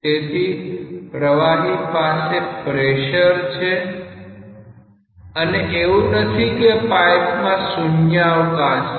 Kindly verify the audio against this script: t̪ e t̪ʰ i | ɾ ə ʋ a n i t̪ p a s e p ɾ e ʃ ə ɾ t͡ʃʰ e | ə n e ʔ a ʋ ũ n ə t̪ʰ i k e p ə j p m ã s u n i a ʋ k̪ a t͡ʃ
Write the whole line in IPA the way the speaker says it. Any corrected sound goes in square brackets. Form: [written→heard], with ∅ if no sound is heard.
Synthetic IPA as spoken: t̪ e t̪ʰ i | ɾ ə ʋ a n i [t̪→∅] p a s e p ɾ e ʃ ə ɾ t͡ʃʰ e | ə n e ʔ [a→e] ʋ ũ n ə t̪ʰ i k e p [ə→a] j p m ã s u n [i→j] a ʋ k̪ a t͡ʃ